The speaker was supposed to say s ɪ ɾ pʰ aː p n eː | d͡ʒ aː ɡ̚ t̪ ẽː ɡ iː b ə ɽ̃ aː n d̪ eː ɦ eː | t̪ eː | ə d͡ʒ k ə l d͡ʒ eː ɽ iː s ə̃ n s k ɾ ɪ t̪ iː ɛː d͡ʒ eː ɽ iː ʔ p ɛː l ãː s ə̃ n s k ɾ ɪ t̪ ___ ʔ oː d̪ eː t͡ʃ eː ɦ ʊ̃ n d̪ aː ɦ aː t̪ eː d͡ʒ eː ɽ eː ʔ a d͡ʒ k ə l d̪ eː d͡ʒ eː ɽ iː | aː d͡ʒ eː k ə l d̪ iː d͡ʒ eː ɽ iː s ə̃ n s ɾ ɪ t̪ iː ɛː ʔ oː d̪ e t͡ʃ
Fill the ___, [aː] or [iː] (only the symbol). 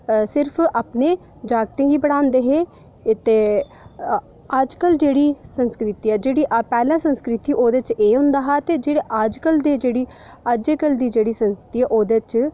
iː